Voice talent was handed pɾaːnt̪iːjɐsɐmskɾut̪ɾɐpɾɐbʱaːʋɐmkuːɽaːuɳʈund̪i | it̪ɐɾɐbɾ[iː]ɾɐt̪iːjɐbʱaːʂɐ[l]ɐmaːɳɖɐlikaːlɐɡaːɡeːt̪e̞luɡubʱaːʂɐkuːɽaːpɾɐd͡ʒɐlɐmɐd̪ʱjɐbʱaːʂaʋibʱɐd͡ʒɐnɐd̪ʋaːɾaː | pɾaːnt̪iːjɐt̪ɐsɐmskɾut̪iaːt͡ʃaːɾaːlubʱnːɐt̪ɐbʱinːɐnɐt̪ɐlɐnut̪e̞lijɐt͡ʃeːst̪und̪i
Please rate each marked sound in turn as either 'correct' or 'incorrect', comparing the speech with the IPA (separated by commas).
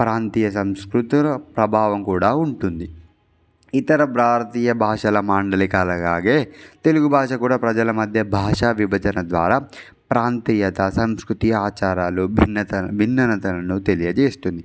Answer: incorrect, correct